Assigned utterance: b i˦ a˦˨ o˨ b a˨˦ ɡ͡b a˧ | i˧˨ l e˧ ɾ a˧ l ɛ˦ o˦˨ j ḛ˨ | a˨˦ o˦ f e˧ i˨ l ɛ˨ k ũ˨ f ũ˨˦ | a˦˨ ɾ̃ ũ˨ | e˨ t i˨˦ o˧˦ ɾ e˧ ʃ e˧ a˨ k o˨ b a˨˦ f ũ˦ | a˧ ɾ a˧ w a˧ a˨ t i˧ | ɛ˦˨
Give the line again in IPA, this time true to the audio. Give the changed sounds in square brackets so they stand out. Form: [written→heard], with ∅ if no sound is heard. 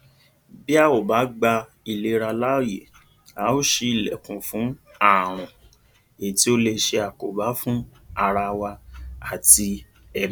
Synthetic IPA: b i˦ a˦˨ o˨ b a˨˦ ɡ͡b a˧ | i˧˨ l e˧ ɾ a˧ l [ɛ˦→a˦] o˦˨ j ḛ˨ | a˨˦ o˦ [f→ʃ] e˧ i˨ l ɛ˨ k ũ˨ f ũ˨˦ | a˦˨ ɾ̃ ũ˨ | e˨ t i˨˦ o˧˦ [ɾ→l] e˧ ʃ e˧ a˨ k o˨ b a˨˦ f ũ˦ | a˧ ɾ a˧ w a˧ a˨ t i˧ | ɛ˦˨

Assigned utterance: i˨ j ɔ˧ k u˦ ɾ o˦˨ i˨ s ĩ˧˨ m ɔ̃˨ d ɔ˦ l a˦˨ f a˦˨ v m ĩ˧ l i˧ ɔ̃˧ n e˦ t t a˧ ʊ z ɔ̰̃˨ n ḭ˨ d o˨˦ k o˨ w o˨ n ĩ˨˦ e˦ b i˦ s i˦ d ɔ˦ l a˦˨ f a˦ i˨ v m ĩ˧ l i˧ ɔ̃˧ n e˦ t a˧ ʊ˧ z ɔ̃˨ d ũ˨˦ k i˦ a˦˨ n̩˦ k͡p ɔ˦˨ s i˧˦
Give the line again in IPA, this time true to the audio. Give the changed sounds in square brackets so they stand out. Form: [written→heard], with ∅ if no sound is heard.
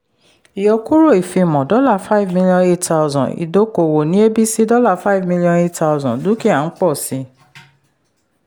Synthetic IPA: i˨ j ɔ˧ k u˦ ɾ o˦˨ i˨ [s→f] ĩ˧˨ m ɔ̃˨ d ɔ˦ l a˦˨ f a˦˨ v m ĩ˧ l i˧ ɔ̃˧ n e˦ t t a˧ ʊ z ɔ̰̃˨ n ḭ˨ d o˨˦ k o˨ w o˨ n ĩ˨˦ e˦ b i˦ s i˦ d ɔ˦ l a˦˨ f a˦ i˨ v m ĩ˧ l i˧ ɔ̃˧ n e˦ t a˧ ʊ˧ z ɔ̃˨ d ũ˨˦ k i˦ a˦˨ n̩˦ k͡p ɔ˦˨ s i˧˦

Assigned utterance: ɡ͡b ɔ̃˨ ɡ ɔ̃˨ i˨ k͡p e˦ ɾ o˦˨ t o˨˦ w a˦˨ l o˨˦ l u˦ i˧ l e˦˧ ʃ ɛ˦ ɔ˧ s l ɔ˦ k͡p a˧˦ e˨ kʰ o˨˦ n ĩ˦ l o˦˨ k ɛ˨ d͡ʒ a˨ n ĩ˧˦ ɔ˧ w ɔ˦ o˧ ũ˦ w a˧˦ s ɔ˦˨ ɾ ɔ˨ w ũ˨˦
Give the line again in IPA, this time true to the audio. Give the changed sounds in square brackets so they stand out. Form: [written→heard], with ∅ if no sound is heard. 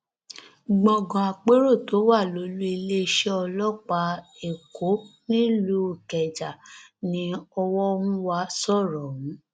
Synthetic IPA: ɡ͡b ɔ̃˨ ɡ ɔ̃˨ [i˨→a˨] k͡p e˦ ɾ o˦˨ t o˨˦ w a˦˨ l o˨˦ l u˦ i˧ l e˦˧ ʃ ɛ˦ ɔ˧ [s→∅] l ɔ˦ k͡p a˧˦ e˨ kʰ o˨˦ n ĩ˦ l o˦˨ k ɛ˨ d͡ʒ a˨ n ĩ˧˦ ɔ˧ w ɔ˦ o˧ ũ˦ w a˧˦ s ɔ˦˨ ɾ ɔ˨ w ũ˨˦

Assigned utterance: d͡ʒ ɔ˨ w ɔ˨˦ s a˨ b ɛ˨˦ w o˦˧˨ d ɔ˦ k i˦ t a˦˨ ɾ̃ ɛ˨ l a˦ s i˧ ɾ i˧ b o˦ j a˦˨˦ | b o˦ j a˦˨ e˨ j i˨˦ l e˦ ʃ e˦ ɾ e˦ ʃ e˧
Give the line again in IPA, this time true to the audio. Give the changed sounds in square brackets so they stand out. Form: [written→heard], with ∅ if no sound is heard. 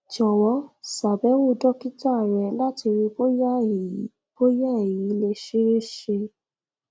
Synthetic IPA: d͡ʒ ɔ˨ w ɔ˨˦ s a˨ b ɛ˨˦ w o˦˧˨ d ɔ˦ k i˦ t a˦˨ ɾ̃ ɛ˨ l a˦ [s→t] i˧ ɾ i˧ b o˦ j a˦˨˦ | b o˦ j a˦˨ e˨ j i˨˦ l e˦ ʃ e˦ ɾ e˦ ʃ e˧

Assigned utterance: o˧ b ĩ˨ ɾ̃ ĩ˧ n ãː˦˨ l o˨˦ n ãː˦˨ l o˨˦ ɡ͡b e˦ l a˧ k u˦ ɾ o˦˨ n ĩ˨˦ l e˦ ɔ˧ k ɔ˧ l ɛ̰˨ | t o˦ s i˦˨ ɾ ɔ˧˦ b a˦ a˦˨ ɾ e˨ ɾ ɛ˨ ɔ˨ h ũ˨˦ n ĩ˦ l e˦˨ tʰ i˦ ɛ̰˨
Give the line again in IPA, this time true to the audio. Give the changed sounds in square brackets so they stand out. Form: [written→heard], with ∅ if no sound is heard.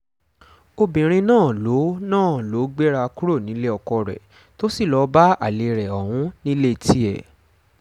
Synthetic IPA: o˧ b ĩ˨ ɾ̃ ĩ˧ n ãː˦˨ l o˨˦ n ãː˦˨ l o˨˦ ɡ͡b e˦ [l→ɾ] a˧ k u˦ ɾ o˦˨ n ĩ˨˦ l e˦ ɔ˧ k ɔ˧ [l→ɾ] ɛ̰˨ | t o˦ s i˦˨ [ɾ→l] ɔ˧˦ b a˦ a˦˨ [ɾ→l] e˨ ɾ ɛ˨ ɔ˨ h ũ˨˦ n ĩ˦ l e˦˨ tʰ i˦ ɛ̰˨

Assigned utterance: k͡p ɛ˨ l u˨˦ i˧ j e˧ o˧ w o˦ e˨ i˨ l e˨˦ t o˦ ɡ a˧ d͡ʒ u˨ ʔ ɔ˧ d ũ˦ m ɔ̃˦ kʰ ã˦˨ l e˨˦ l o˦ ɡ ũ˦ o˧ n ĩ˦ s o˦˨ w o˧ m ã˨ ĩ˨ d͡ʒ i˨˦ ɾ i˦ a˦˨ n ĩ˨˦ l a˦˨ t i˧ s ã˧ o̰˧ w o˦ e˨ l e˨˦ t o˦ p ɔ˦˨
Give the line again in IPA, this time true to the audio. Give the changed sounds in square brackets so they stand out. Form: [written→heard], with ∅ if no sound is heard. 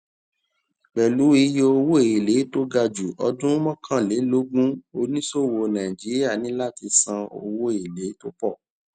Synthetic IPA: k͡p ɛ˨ l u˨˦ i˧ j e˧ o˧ w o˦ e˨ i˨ l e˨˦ t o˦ ɡ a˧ d͡ʒ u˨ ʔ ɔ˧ d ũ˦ m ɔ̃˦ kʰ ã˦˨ l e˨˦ l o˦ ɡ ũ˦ o˧ n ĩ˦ s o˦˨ w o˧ [m→n] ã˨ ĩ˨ d͡ʒ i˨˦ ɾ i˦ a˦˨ n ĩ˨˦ l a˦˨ t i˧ s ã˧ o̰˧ w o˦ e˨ l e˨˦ t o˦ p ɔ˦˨

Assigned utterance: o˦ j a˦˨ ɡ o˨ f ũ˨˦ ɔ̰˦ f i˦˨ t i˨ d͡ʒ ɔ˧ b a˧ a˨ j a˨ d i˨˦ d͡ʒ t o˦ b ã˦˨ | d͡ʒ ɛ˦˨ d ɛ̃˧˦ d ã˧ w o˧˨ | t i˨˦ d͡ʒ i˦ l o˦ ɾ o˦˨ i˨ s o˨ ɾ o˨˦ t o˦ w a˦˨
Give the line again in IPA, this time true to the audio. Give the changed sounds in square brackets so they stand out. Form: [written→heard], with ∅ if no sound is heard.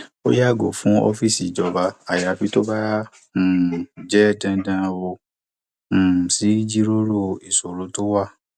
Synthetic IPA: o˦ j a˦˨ ɡ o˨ f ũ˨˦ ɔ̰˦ f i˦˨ [t→s] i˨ d͡ʒ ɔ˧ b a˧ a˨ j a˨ [d→b] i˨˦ [d͡ʒ→∅] t o˦ b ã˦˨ | d͡ʒ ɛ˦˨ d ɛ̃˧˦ d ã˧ w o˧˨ | [t→s] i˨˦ d͡ʒ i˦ [l→ɾ] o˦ ɾ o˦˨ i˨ s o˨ ɾ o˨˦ t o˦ w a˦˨

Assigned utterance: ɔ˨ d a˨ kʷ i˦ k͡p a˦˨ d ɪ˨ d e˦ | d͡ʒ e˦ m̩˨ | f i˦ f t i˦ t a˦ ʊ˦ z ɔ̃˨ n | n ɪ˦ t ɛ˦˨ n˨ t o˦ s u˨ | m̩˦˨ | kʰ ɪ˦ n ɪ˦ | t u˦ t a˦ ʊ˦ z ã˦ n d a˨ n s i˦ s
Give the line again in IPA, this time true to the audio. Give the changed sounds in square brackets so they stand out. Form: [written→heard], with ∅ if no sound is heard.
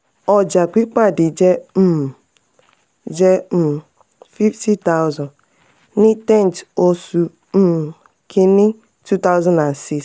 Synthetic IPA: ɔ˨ [d→d͡ʒ] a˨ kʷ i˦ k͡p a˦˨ d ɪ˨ [d→d͡ʒ] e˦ | d͡ʒ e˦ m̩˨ | f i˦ f t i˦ t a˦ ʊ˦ z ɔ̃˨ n | n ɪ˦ t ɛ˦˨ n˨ t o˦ s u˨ | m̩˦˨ | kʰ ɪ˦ n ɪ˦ | t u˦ t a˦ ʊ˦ z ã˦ n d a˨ n s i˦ s

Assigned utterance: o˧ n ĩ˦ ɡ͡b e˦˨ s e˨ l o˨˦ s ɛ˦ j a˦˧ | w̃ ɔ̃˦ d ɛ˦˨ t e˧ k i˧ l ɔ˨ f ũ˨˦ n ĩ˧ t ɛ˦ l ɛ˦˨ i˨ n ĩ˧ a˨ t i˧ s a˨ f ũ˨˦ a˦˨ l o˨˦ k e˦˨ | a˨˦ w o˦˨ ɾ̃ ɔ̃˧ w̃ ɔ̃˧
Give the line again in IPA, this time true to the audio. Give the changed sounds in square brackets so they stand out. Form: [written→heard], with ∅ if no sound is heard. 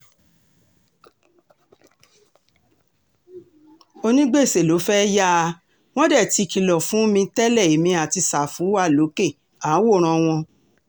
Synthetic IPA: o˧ n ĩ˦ ɡ͡b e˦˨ s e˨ l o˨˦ [s→f] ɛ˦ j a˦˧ | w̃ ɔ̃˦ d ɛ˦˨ t [e˧→i˧] k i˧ l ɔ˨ f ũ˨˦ [n→m] ĩ˧ t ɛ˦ l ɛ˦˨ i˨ [n→m] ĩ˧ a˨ t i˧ s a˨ f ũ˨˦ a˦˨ l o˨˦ k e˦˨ | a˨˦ w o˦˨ ɾ̃ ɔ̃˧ w̃ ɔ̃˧

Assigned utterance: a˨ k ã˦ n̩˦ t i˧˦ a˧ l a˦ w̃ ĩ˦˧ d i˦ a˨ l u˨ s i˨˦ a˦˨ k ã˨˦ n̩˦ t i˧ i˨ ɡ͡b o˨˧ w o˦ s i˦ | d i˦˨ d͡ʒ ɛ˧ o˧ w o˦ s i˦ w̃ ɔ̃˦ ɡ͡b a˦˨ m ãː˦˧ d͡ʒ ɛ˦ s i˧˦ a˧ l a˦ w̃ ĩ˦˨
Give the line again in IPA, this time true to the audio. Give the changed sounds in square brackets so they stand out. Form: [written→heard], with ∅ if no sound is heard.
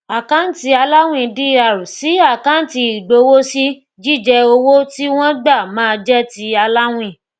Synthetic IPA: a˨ k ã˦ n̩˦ t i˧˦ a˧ l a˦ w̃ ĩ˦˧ d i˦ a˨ [l→ɾ] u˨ s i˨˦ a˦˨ k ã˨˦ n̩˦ t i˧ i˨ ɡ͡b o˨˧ w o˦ s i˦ | [d→d͡ʒ] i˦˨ d͡ʒ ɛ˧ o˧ w o˦ [s→t] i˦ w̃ ɔ̃˦ ɡ͡b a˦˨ m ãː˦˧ d͡ʒ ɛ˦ [s→t] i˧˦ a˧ l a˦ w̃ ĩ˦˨

